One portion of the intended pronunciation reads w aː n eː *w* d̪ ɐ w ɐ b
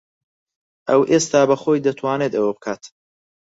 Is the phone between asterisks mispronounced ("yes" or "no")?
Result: yes